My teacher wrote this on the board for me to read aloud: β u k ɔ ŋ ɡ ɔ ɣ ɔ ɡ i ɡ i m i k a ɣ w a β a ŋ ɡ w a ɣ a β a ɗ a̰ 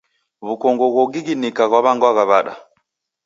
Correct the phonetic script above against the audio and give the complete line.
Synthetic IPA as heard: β u k ɔ ŋ ɡ ɔ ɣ ɔ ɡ i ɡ i n i k a ɣ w a β a ŋ ɡ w a ɣ a β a ɗ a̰